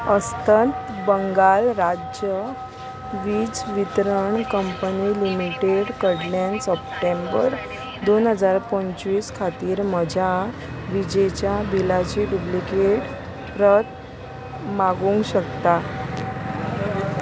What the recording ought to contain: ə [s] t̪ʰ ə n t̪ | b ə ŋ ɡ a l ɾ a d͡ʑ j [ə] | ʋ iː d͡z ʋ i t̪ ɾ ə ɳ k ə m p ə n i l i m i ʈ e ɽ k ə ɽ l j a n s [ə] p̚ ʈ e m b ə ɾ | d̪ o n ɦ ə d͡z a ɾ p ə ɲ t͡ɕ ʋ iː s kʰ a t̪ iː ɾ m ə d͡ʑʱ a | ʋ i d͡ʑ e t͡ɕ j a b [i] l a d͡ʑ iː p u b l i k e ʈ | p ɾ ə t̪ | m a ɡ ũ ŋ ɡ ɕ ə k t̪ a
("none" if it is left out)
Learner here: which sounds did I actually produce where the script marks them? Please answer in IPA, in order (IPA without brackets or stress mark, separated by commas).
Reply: s, ə, ə, i